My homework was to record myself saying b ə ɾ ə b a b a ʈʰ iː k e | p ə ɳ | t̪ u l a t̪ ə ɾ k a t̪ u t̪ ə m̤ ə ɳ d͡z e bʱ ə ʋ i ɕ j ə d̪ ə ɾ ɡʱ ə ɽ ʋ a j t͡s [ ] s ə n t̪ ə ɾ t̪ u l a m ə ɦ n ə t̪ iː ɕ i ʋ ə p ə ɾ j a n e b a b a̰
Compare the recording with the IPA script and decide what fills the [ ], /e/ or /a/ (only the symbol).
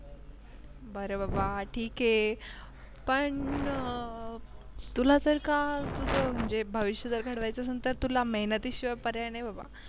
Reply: a